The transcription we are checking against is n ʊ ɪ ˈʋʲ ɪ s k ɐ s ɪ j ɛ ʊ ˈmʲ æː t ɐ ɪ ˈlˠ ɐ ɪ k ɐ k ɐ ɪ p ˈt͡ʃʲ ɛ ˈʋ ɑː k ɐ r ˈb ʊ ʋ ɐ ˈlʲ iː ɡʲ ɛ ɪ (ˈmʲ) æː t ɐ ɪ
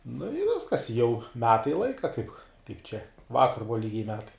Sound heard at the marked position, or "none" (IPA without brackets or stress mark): mʲ